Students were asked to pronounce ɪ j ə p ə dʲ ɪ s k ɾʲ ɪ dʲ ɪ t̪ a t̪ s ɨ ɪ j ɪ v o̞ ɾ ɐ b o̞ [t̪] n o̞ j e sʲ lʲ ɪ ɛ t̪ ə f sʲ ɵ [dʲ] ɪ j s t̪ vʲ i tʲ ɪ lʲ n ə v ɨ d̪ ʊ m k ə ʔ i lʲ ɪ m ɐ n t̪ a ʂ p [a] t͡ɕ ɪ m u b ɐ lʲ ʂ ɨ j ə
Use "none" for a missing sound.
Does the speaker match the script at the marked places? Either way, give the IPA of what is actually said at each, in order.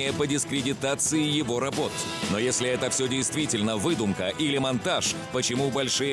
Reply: t̪, dʲ, ə

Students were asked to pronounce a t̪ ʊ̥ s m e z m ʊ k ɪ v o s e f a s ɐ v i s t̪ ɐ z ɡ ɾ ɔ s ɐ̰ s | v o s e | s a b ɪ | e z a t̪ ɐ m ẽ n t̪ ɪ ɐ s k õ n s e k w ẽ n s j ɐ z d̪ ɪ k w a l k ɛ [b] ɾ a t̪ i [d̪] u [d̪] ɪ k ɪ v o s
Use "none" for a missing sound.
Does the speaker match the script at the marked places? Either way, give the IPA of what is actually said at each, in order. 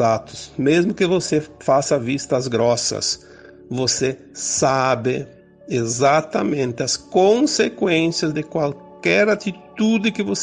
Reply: none, t̪, d̪

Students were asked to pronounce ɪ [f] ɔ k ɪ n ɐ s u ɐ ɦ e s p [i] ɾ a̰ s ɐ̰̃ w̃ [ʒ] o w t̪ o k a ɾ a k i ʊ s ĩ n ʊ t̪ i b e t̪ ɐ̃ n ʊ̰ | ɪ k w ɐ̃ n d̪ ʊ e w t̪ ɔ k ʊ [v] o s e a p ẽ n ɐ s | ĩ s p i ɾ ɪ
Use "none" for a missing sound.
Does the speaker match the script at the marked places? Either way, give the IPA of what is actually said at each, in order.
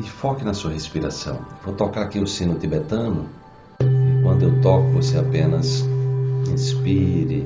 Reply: f, i, v, v

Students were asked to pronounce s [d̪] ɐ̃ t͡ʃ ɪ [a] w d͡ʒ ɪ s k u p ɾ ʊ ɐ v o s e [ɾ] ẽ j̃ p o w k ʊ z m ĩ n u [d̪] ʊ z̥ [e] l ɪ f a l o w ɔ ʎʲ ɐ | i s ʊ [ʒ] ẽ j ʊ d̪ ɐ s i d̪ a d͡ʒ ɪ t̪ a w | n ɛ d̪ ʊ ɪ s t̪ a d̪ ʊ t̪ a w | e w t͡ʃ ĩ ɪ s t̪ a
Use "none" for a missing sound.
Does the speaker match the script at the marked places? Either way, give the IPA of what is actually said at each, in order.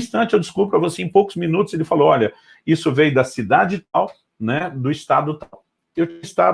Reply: t̪, e, none, t̪, e, v

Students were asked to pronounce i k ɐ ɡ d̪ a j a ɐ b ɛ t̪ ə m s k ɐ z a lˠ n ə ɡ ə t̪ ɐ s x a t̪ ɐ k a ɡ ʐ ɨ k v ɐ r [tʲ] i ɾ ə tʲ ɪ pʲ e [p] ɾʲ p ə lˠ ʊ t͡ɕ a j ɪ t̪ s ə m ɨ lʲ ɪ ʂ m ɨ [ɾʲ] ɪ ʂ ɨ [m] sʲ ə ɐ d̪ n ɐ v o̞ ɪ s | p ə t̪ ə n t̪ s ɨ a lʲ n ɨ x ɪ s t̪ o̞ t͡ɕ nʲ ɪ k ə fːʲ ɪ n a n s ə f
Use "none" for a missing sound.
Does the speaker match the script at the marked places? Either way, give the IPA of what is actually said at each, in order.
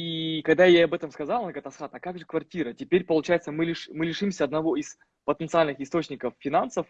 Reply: tʲ, none, lʲ, m

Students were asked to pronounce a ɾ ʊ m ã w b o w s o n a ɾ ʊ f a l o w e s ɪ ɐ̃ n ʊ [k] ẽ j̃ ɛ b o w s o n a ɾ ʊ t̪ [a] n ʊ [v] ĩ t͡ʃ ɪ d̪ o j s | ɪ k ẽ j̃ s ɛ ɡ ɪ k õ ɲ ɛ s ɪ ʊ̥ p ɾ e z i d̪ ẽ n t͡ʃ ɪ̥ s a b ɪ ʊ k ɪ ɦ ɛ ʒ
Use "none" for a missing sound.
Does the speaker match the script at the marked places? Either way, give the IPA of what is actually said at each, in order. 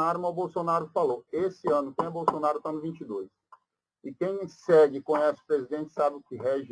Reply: k, a, v

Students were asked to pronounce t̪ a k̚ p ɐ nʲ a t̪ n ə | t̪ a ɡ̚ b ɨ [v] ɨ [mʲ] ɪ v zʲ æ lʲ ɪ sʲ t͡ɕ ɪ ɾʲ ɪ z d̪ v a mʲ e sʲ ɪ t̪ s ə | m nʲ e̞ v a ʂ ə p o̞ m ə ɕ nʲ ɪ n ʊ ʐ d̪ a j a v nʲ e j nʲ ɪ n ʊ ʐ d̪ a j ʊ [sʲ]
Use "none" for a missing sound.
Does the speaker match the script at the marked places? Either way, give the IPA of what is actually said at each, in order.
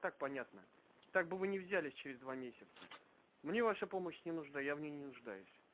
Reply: v, nʲ, sʲ

